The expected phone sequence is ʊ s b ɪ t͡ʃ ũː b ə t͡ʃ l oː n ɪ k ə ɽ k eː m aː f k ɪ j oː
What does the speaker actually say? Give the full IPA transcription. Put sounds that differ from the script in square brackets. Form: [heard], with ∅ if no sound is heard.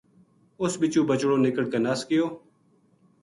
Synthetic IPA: ʊ s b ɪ t͡ʃ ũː b ə t͡ʃ [ɽ] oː n ɪ k ə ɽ k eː [n] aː [s] k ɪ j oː